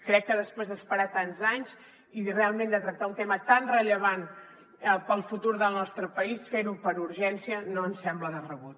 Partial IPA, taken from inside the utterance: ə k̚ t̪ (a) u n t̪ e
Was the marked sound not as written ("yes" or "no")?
no